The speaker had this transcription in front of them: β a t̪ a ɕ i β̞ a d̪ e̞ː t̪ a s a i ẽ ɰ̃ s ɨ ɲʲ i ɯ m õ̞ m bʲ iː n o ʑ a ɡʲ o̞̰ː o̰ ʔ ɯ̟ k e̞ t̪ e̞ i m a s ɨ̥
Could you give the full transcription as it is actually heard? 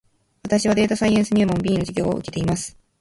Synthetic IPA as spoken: β a t̪ a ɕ i β̞ a d̪ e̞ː t̪ a s a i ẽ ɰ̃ s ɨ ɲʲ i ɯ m õ̞ m bʲ iː n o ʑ i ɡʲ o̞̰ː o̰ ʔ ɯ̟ k e̞ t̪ e̞ i m a s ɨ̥